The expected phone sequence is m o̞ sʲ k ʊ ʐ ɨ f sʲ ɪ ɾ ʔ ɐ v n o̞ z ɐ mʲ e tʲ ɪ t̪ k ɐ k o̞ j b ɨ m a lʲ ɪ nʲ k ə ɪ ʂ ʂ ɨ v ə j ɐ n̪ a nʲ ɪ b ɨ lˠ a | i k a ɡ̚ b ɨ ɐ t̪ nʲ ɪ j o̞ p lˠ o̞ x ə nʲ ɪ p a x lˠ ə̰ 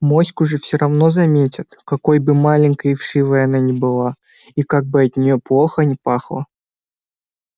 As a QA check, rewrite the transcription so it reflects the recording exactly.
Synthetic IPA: m o̞ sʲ k ʊ ʐ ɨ f sʲ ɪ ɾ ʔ ɐ v n o̞ z ɐ mʲ e tʲ ɪ t̪ k ɐ k o̞ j b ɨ m a lʲ ɪ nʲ k ə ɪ f ʂ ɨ v ə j ɐ n̪ a nʲ ɪ b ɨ lˠ a | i k a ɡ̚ b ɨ ɐ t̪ nʲ ɪ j o̞ p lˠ o̞ x ə nʲ ɪ p a x lˠ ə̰